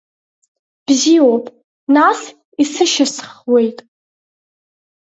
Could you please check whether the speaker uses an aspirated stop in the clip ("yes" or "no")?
no